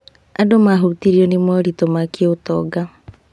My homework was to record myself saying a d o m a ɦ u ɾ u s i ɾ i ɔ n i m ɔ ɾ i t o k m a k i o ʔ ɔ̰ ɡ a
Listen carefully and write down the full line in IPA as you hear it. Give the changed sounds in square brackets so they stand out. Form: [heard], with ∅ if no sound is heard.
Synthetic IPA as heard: a d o m a ɦ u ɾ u [t] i ɾ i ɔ n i m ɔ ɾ i t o [∅] m a k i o [t] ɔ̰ ɡ a